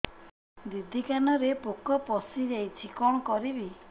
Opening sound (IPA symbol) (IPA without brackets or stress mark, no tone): d̪